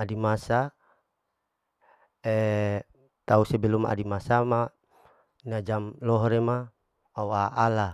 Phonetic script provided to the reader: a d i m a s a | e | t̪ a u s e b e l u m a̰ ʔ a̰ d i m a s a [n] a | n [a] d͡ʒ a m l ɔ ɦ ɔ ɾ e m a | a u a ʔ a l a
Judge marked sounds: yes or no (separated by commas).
no, yes